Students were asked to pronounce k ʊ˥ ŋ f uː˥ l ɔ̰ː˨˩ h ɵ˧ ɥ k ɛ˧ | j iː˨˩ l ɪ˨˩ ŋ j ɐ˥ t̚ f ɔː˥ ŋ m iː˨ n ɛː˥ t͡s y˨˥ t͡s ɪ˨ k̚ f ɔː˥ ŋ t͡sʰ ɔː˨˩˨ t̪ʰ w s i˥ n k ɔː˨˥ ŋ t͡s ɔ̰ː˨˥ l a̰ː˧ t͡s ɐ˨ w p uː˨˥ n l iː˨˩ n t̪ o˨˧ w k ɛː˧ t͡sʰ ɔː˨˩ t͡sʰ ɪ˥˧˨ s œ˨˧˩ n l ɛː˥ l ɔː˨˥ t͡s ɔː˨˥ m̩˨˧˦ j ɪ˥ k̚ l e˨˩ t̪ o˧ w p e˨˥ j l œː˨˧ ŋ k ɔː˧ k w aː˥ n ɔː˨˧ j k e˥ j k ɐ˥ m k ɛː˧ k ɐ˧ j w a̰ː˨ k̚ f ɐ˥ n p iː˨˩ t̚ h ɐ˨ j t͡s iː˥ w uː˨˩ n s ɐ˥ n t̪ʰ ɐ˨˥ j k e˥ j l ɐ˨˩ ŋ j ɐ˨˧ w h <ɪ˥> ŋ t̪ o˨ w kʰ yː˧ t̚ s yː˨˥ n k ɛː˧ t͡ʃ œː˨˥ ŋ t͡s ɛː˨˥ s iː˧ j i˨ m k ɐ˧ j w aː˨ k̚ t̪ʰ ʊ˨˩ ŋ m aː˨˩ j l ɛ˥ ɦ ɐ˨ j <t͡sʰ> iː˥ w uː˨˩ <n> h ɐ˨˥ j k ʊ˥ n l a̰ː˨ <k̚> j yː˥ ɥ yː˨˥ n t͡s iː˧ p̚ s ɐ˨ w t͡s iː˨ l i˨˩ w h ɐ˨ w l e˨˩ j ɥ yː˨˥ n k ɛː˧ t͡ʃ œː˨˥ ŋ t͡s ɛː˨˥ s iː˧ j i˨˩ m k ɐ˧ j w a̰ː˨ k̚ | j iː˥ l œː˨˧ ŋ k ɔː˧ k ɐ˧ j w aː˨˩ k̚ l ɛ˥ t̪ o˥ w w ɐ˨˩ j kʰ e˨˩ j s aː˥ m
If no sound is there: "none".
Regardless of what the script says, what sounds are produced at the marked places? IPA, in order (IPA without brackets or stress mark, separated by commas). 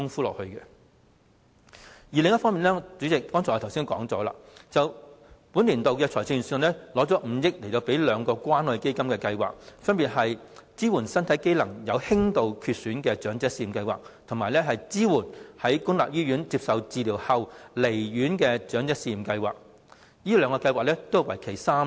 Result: ɪ˥, t͡s, n, p̚